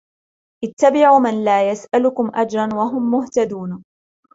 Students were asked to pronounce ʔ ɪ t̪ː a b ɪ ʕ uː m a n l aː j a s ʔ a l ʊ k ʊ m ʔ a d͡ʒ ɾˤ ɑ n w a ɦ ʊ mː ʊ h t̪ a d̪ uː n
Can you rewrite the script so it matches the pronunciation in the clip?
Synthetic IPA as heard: ʔ ɪ t̪ː a b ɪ ʕ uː m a n l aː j a s ʔ a l ʊ k ʊ m ʔ a d͡ʒ ɾˤ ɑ n w a ɦ ʊ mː ʊ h t̪ a d̪ uː n